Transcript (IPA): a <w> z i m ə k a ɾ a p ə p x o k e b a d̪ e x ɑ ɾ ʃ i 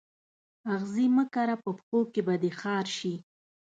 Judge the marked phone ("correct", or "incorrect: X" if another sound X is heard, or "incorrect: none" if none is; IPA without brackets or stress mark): incorrect: ɣ